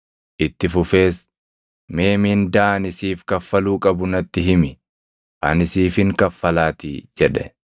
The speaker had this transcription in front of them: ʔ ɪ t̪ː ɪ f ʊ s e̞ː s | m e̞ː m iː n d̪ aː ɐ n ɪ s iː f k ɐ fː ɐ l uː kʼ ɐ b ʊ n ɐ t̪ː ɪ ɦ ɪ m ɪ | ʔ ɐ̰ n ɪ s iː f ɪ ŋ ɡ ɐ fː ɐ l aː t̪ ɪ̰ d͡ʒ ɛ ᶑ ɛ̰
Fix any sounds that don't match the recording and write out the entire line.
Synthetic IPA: ʔ ɪ t̪ː ɪ f ʊ f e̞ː s | m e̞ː m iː n d̪ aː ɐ n ɪ s iː f k ɐ fː ɐ l uː kʼ ɐ b ʊ n ɐ t̪ː ɪ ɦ ɪ m ɪ | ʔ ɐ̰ n ɪ s iː f ɪ ŋ k ɐ fː ɐ l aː t̪ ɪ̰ d͡ʒ ɛ ᶑ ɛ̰